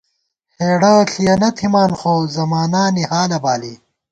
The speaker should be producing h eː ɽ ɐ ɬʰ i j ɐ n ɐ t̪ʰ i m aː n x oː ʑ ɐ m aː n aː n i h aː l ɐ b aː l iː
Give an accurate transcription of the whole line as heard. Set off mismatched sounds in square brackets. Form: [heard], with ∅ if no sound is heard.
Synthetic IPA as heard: h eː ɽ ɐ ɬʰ i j ɐ n ɐ t̪ʰ i m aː n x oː [z] ɐ m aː n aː n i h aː l ɐ b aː l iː